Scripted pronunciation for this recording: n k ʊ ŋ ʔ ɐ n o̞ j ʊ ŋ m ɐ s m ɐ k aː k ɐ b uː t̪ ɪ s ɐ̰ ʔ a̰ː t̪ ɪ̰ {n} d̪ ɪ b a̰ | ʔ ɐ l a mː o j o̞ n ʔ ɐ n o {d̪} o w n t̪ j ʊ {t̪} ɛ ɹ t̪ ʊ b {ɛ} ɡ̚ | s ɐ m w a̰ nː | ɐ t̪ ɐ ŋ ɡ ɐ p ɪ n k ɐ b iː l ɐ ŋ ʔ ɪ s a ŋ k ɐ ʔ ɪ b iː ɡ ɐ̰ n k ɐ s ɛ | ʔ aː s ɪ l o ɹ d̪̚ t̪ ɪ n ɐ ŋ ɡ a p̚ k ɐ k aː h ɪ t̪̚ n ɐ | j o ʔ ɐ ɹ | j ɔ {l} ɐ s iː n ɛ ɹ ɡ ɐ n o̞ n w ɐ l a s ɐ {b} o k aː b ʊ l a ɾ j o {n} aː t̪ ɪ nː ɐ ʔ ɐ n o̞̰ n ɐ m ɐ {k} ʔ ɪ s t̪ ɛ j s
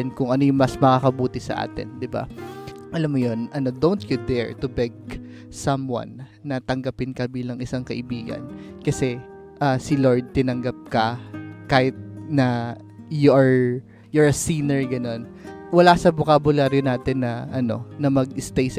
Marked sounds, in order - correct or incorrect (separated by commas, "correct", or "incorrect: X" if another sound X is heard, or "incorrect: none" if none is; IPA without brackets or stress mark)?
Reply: correct, correct, incorrect: d̪, correct, incorrect: ɹ, correct, correct, incorrect: ɡ